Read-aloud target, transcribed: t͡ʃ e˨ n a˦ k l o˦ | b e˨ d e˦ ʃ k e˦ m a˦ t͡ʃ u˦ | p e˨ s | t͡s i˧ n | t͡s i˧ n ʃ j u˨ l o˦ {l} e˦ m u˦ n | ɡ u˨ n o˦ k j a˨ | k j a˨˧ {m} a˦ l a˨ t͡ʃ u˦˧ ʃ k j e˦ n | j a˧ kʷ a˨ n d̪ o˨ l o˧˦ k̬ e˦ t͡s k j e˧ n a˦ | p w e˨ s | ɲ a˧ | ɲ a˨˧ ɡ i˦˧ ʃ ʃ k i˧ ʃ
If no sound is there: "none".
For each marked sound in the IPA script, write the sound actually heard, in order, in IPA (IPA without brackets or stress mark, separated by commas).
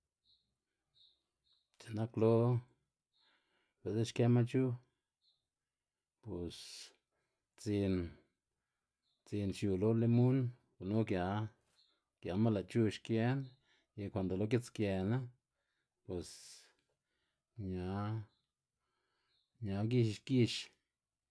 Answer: l, m